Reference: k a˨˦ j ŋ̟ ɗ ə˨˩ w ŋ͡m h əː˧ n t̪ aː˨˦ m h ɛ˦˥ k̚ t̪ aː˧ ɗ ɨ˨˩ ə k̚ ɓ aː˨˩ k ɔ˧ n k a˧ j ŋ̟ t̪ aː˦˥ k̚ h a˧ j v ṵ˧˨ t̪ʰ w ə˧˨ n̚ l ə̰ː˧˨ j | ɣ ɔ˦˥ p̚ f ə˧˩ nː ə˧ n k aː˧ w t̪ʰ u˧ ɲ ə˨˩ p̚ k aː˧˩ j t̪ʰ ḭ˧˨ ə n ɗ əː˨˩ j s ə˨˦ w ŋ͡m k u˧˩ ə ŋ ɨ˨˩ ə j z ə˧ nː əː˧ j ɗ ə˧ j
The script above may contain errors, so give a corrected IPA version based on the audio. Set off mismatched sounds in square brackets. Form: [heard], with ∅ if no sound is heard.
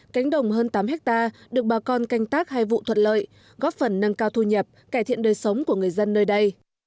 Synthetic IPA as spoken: k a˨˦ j ŋ̟ ɗ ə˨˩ w ŋ͡m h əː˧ n t̪ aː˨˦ m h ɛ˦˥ k̚ t̪ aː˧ ɗ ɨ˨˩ ə k̚ ɓ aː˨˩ k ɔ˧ n k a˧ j ŋ̟ t̪ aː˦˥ k̚ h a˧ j v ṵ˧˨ t̪ʰ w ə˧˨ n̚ l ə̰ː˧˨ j | ɣ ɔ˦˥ p̚ f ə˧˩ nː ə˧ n k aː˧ w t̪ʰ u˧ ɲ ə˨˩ p̚ k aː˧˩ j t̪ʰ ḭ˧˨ ə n ɗ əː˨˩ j s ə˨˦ w ŋ͡m k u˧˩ ə ŋ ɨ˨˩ ə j z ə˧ nː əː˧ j ɗ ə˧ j